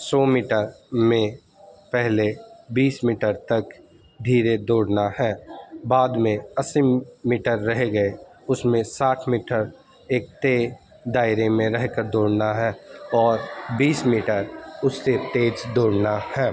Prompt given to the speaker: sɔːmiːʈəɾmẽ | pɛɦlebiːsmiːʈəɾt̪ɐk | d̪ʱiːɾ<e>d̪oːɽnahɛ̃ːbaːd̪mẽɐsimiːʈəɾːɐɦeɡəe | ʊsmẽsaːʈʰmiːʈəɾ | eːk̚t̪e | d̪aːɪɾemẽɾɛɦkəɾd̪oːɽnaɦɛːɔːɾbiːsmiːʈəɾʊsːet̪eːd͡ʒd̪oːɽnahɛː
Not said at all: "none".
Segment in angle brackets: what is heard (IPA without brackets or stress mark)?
e